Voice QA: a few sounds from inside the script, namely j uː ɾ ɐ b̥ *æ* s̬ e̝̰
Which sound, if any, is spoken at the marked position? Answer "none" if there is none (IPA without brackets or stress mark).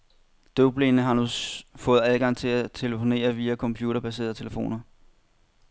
æ